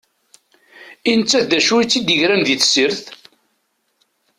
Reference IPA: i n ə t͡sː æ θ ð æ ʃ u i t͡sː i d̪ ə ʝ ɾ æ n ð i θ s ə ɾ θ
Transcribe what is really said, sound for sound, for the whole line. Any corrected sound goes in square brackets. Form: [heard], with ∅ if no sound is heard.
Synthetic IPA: i n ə t͡sː æ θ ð æ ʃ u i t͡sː i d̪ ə ʝ ɾ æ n ð i θ s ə ɾ θ